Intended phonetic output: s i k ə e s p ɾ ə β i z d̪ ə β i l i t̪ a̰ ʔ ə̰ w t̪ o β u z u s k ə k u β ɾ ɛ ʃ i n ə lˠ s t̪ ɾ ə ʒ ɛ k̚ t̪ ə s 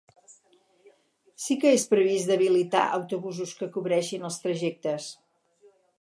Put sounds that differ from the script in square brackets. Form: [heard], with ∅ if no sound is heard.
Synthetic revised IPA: s i k ə e s p ɾ ə β i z d̪ ə β i l i t̪ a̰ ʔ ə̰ w t̪ [u] β u z u s k ə k u β ɾ ɛ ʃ i n ə lˠ s t̪ ɾ ə ʒ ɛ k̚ t̪ ə s